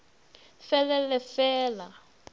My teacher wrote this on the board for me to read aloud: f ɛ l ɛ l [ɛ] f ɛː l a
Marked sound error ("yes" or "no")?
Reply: no